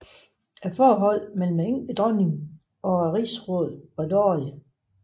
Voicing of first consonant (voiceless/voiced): voiceless